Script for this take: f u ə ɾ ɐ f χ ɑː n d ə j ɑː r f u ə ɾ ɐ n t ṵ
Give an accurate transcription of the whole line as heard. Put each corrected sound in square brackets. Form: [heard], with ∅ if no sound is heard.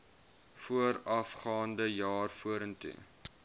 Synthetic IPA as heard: f u ə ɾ ɐ f χ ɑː n d ə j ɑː r f u ə ɾ [ə] n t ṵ

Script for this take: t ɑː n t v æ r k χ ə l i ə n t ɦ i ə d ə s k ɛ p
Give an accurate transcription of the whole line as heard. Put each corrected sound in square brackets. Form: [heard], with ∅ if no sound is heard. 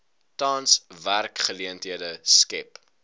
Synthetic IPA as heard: t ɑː n [s] v æ r k χ ə l i ə n t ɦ i ə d ə s k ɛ p

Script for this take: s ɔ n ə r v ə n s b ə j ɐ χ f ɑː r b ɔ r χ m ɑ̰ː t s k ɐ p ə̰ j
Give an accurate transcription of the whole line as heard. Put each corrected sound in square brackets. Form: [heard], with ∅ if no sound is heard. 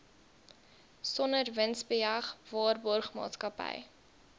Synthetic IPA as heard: s ɔ n ə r v ə n s b ə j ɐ χ [v] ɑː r b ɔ r χ m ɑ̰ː t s k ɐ p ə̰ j

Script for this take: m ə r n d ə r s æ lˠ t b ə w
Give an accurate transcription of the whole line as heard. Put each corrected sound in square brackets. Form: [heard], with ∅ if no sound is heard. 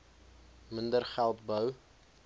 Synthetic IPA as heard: m ə [∅] n d ə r [χ] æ lˠ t b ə w

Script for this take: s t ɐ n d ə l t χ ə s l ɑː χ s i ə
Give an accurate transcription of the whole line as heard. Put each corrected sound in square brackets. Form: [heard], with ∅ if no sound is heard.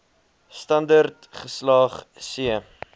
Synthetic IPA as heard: s t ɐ n d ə [r] t χ ə s l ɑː χ s i ə

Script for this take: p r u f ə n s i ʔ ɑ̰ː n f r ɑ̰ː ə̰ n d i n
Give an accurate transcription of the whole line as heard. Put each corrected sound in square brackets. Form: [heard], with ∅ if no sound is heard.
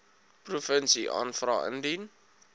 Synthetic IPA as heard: p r u f ə n s i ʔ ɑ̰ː n f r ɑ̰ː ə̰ n d i n

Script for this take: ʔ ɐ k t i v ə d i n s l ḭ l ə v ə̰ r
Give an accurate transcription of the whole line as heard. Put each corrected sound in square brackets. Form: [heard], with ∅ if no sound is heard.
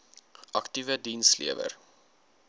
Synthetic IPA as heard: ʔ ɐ k t i v ə d i n s l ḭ [∅] ə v ə̰ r

